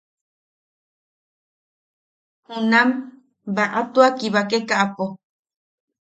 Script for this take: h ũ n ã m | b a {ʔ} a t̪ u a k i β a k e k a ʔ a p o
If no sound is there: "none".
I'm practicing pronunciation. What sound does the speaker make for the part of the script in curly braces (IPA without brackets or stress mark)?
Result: ʔ